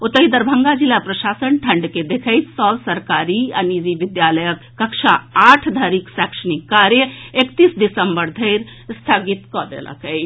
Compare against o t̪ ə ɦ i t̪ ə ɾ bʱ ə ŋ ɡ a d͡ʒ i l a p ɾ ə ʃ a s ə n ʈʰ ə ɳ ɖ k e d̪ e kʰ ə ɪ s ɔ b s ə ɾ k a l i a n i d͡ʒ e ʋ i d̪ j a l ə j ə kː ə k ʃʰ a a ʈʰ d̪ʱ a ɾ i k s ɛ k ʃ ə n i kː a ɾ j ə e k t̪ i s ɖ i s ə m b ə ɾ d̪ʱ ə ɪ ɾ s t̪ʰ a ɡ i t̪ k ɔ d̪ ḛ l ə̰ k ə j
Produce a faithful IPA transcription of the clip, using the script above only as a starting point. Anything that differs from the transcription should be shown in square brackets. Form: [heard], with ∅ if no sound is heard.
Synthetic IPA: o t̪ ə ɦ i [d̪] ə ɾ bʱ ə ŋ ɡ a d͡ʒ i l a p ɾ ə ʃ a s ə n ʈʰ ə ɳ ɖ k e d̪ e kʰ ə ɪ s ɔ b s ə ɾ k a [ɾ] i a n i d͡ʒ [i] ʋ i d̪ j a l ə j ə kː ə k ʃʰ a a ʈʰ d̪ʱ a ɾ i k s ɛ k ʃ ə n i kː a ɾ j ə e k t̪ i s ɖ i s ə m b ə ɾ d̪ʱ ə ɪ ɾ s t̪ʰ a ɡ i t̪ k ɔ d̪ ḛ l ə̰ k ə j